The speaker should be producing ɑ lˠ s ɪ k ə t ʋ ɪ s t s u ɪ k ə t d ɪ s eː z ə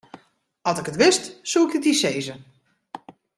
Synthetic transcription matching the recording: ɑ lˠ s ɪ k ə t ʋ ɪ s t s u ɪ k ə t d i s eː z ə